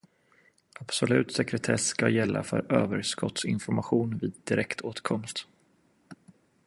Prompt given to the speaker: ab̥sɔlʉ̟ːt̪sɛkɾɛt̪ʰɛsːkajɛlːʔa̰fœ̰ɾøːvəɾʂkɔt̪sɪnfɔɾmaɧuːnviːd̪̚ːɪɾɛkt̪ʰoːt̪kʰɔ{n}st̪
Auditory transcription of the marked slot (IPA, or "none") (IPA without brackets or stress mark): m